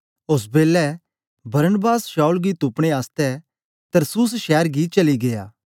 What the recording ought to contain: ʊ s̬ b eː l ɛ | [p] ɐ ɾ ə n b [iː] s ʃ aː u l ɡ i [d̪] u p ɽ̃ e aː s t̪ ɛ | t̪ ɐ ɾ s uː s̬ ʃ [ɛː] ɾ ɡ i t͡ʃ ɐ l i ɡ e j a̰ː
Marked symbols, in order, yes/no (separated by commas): no, no, no, yes